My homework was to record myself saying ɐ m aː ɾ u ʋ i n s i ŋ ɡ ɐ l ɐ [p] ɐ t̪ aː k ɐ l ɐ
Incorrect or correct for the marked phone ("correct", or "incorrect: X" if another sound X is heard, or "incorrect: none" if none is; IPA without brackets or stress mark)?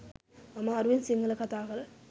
incorrect: k